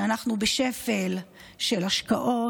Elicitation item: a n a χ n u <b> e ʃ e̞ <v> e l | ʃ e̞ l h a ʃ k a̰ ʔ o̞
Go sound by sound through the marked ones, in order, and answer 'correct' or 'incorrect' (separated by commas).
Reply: correct, incorrect